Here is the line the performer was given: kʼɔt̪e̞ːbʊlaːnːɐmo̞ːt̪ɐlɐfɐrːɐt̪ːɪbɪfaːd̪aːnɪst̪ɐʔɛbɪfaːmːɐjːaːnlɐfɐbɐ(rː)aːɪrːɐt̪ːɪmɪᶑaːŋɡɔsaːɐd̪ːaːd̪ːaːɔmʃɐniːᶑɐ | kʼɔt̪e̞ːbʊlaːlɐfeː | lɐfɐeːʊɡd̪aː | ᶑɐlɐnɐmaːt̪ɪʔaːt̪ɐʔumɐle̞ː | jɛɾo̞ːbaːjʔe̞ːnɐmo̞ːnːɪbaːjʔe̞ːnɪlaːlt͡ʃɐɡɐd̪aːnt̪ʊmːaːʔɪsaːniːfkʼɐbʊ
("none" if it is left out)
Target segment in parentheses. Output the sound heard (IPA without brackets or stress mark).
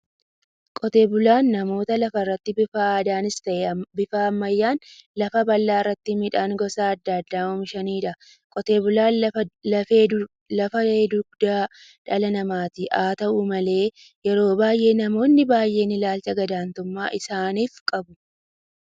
lː